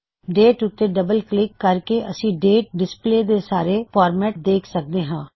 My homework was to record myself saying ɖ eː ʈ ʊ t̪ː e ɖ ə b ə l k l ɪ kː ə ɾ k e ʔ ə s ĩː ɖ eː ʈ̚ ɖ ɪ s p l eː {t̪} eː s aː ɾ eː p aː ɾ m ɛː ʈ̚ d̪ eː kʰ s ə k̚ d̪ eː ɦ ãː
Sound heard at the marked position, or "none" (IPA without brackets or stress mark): d̪